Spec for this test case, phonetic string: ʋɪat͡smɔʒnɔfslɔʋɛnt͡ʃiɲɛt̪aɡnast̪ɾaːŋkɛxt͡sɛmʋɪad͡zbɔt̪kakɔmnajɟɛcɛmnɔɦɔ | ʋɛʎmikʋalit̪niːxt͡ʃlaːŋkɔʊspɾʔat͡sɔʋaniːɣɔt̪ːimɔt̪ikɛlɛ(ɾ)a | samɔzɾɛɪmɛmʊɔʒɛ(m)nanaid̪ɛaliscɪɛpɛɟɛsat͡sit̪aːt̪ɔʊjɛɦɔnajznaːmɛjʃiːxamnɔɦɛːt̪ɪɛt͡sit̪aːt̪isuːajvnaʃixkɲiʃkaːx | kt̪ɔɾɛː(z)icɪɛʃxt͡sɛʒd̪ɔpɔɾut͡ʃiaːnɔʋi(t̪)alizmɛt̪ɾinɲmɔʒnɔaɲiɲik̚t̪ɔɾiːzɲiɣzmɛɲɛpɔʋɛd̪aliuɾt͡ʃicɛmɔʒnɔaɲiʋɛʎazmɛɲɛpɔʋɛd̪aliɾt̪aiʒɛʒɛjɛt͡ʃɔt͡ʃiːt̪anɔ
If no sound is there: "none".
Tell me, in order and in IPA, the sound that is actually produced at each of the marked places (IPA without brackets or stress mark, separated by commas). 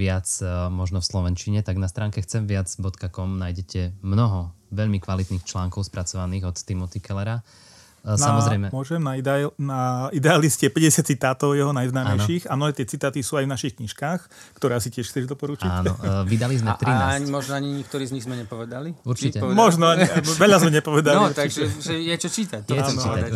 ɾ, m, s, d̪